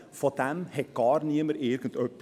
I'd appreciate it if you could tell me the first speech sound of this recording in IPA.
f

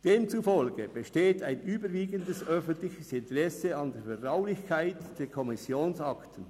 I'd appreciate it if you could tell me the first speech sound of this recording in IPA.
d̥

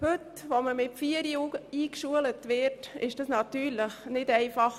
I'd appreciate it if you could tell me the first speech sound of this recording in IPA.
h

